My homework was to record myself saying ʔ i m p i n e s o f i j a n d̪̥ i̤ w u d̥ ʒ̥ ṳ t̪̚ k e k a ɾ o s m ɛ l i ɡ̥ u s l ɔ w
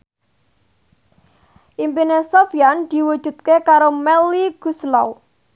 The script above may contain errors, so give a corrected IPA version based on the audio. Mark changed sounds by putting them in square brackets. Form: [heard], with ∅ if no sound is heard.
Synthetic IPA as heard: ʔ i m p i n e s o f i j a n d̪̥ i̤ w u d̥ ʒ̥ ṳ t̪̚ k e k a ɾ o [∅] m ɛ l i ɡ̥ u s l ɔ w